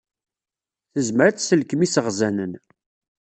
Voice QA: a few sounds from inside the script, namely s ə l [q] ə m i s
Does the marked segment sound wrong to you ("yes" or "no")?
yes